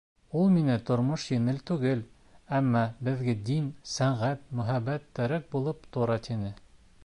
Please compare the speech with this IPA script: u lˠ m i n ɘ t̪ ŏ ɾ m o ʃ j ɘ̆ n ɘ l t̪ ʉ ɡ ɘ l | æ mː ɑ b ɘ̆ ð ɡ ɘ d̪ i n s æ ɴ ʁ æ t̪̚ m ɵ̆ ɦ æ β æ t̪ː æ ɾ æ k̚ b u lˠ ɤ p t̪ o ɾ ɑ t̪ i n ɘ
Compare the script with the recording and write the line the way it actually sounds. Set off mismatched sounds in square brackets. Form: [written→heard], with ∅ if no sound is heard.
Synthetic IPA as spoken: u lˠ m i n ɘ t̪ ŏ ɾ m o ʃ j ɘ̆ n ɘ l t̪ ʉ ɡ ɘ l | æ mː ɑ b ɘ̆ ð ɡ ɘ d̪ i n s æ ɴ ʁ æ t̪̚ m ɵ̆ ɦ æ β æ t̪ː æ ɾ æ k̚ b u lˠ ɤ p t̪ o ɾ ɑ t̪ i n ɘ